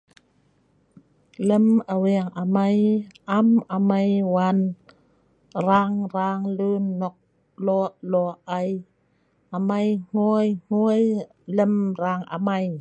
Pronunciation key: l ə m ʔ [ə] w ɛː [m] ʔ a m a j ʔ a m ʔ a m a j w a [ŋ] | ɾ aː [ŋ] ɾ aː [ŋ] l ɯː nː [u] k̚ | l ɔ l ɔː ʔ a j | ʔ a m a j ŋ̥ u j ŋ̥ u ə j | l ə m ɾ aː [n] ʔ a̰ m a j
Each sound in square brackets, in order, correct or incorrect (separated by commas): incorrect, incorrect, incorrect, correct, correct, incorrect, incorrect